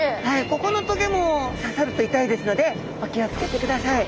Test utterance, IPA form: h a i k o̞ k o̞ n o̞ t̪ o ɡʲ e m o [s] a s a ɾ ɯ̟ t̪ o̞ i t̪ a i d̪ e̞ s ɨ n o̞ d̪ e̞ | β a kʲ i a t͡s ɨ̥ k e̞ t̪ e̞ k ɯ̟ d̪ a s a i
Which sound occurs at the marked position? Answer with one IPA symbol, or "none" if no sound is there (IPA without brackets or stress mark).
s